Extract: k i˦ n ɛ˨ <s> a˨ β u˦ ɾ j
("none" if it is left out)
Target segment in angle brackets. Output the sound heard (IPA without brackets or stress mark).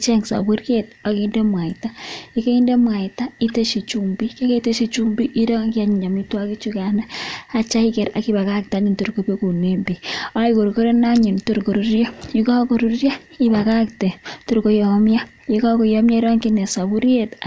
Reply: s